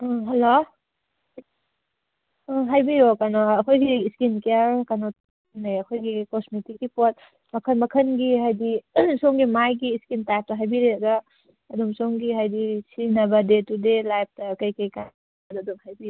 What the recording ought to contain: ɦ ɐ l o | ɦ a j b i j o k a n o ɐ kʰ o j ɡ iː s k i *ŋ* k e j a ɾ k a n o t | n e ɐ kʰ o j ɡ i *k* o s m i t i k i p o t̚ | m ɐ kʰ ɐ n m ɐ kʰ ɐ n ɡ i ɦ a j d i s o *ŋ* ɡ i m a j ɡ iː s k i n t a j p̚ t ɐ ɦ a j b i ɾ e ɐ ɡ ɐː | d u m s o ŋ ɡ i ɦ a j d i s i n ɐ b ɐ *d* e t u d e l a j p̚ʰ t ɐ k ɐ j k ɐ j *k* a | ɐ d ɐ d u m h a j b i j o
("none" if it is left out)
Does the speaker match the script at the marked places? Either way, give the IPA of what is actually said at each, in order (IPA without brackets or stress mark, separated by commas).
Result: n, k, ŋ, d, k